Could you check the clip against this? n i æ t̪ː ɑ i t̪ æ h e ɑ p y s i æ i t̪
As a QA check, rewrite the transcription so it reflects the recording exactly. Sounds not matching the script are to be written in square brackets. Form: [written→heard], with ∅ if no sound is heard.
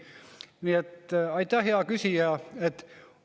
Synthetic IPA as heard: n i [æ→e] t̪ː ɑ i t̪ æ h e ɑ [p→k] y s i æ [i→e] t̪